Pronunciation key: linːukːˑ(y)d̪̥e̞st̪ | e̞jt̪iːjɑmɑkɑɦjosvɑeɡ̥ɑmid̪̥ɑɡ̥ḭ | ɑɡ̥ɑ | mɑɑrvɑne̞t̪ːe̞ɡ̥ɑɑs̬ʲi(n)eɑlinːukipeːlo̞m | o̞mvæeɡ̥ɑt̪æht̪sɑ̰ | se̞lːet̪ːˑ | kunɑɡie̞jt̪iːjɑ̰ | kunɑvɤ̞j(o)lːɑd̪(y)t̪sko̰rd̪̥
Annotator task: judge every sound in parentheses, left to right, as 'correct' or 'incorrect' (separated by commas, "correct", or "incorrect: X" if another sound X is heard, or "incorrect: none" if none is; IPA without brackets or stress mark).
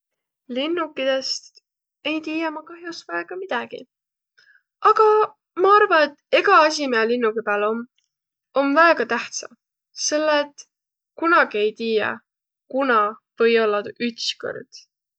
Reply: incorrect: i, incorrect: m, correct, correct